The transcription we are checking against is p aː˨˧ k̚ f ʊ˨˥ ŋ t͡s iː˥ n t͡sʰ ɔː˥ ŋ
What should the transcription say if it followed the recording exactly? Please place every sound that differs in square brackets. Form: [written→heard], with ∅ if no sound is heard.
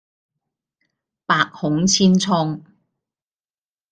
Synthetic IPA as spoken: p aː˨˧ k̚ [f→h] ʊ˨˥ ŋ [t͡s→t͡sʰ] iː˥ n t͡sʰ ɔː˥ ŋ